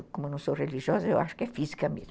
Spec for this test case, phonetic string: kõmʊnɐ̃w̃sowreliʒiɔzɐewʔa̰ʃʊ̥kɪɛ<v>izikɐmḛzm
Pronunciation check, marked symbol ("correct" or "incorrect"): incorrect